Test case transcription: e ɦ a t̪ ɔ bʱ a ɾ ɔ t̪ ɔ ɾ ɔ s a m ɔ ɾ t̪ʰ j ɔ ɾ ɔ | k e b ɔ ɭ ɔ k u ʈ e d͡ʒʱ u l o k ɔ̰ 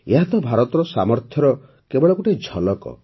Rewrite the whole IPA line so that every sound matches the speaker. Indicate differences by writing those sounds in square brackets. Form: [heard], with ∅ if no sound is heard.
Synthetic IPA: e ɦ a t̪ ɔ bʱ a ɾ ɔ t̪ ɔ ɾ ɔ s a m ɔ ɾ t̪ʰ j ɔ ɾ ɔ | k e b ɔ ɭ ɔ k u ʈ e d͡ʒʱ [ɔ] l [ɔ] k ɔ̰